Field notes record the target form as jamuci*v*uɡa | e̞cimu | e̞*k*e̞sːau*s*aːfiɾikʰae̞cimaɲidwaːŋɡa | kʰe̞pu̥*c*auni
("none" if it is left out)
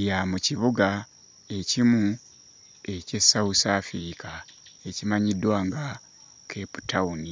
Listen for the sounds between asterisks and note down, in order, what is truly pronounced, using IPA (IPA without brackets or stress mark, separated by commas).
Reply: β, c, s, t